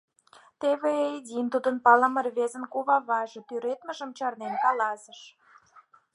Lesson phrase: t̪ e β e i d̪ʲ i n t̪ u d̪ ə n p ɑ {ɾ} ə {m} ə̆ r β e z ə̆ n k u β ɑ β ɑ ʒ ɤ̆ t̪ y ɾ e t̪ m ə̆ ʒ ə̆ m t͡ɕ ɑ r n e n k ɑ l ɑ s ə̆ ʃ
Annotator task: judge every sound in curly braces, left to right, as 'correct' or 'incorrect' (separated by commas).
incorrect, correct